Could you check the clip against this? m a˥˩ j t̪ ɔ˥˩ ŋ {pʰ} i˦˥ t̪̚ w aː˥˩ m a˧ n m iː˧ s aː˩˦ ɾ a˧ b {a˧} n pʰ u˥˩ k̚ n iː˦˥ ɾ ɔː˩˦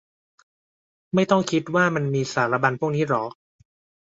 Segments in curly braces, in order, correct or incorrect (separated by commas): incorrect, correct